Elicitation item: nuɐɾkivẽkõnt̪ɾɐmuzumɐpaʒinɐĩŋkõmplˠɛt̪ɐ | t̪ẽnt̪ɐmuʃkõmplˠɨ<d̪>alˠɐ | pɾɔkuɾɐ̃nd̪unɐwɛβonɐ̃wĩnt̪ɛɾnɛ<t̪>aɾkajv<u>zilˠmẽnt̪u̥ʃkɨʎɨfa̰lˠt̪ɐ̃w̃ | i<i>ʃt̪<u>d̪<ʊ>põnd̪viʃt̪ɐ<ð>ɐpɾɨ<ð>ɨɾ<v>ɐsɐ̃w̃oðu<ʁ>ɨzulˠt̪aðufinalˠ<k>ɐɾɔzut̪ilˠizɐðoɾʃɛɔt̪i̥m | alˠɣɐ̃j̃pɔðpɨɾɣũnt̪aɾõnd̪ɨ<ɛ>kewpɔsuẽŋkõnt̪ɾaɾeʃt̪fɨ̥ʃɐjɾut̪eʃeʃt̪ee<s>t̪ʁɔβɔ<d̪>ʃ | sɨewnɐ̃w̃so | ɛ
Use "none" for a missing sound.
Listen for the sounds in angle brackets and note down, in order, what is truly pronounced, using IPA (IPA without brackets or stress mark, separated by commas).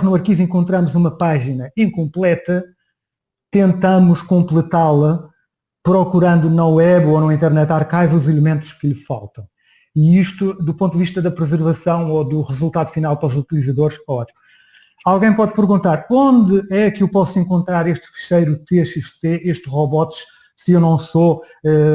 t̪, t̪, u, i, u, u, ð, z, v, ʁ, p, ɛ, ʃ, t̪